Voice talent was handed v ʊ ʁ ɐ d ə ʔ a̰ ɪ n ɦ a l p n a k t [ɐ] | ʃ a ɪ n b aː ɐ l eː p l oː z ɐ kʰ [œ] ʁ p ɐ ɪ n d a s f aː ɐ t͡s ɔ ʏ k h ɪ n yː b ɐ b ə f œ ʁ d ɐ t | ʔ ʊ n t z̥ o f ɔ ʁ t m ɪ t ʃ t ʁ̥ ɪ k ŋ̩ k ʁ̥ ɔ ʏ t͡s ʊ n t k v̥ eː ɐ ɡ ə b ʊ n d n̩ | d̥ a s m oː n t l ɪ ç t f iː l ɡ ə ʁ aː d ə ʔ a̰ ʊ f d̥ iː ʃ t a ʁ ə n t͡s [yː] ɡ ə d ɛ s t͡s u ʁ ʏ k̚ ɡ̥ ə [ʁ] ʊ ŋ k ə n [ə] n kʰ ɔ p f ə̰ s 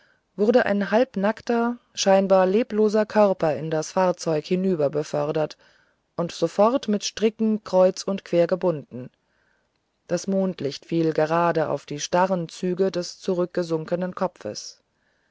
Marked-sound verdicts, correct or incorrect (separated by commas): correct, correct, correct, incorrect, correct